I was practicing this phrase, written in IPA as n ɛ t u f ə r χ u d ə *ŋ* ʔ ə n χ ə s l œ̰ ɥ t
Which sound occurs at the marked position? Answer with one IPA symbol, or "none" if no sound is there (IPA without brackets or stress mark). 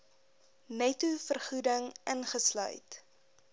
ŋ